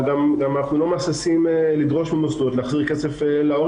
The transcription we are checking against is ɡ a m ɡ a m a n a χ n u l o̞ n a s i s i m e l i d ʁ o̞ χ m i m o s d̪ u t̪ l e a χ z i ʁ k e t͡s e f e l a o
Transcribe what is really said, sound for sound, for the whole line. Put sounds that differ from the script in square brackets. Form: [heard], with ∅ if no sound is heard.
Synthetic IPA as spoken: ɡ a m ɡ a m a n a χ n u l o̞ [m] a s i s i m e l i d ʁ o̞ [ʃ] m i m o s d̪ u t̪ l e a χ z i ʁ k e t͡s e f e l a o